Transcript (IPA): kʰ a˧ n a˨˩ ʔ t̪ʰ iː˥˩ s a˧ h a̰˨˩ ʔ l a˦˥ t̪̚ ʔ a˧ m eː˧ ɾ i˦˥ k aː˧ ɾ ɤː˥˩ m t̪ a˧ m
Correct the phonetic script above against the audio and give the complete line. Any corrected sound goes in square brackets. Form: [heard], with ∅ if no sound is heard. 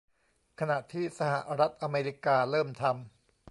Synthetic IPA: kʰ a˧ n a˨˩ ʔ t̪ʰ iː˥˩ s a˧ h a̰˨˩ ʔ [ɾ] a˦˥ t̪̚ ʔ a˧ m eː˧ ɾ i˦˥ k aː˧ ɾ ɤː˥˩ m [t̪ʰ] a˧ m